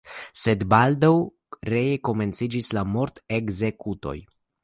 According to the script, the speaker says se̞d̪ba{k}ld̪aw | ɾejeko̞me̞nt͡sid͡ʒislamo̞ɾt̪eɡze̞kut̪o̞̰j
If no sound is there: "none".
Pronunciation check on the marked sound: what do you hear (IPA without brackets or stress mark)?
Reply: none